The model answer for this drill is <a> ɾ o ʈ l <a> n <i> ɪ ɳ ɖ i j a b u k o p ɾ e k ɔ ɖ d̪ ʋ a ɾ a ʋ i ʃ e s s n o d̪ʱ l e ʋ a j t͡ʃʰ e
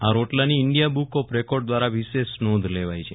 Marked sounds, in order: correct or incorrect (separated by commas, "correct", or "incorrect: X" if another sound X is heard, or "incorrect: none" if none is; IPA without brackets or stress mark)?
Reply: correct, correct, correct